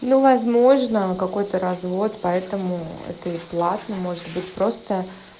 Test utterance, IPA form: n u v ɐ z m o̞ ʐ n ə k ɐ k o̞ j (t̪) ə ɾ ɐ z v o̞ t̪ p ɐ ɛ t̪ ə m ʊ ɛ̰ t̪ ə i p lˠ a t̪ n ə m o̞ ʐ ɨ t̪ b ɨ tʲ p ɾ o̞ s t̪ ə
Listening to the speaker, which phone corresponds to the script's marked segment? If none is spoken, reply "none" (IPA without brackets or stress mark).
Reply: t̪